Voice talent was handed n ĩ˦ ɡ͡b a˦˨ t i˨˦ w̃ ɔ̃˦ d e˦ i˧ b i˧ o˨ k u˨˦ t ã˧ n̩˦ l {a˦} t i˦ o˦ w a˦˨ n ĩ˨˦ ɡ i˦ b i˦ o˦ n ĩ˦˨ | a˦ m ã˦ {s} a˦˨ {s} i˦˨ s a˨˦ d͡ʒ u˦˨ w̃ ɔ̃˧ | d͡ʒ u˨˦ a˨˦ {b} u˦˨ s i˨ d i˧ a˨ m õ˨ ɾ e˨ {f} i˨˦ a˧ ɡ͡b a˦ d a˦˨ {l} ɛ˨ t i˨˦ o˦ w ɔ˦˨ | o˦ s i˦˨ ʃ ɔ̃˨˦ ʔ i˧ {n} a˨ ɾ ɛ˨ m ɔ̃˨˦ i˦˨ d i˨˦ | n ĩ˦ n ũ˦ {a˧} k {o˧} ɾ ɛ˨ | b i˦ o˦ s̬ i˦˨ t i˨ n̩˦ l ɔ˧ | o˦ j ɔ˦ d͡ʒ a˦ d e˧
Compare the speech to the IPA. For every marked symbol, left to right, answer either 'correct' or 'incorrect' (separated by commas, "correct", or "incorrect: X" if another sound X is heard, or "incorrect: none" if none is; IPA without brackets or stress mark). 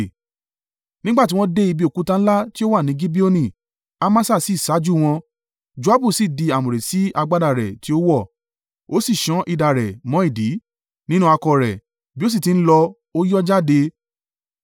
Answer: correct, correct, correct, correct, incorrect: s, incorrect: ɾ, incorrect: d, correct, incorrect: ɔ˧